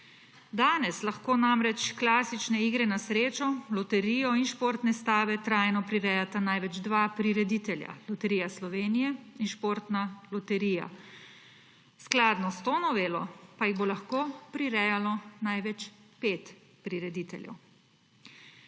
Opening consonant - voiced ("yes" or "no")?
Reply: yes